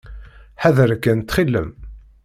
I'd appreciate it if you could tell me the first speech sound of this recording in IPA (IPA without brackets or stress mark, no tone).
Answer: ħ